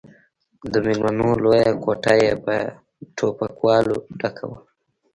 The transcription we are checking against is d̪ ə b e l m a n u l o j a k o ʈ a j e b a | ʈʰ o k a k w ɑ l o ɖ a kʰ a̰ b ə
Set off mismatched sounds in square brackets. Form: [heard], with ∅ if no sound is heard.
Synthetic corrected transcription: d̪ ə [m] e l m a n [o] l o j a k o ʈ a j e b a | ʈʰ o [p] a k w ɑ l o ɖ a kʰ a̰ [w] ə